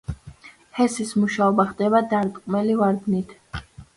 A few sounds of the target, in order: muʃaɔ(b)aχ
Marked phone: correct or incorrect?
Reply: correct